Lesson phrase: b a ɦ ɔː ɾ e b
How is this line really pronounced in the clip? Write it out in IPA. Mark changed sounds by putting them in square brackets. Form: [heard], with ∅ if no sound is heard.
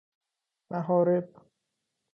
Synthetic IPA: [m] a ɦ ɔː ɾ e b